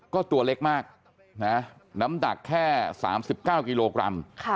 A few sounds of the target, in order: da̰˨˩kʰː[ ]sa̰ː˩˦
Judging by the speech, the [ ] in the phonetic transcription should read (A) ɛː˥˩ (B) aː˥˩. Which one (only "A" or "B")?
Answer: A